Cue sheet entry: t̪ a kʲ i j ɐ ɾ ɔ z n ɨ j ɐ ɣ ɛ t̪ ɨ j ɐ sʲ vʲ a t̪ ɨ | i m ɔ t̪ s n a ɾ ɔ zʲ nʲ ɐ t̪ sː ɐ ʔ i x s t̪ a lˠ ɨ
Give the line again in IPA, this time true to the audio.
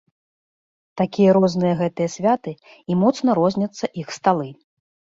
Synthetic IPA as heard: t̪ a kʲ i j ɐ ɾ ɔ z n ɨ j ɐ ɣ ɛ t̪ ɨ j ɐ sʲ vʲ a t̪ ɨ | i m ɔ t̪ s n ɐ ɾ ɔ zʲ nʲ ɐ t̪ sː ɐ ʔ i x s t̪ a lˠ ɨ